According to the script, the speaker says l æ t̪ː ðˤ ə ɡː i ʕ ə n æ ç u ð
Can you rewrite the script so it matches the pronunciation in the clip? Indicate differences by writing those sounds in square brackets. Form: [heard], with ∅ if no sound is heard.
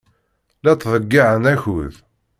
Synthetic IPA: l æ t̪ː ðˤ ə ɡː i ʕ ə n æ ç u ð